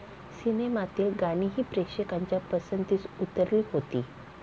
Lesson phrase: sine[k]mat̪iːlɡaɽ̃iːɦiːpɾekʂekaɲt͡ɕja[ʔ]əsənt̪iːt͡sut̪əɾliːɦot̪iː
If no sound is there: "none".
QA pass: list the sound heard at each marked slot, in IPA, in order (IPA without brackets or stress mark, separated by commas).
none, p